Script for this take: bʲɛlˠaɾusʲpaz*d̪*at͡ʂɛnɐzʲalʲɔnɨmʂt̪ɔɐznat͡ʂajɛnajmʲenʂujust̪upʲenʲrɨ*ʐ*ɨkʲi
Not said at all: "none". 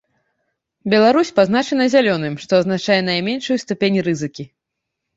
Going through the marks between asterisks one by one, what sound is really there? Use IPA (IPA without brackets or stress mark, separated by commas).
n̪, z